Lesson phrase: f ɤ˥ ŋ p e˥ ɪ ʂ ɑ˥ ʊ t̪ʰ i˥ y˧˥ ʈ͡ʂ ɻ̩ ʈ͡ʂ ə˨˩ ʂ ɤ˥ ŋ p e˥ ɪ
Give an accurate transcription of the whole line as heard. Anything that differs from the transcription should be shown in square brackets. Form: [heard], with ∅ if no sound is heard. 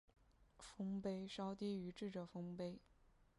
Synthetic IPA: f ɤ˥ ŋ p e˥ ɪ ʂ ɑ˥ ʊ [t̪] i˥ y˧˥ ʈ͡ʂ ɻ̩ ʈ͡ʂ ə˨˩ [f] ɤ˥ ŋ p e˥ ɪ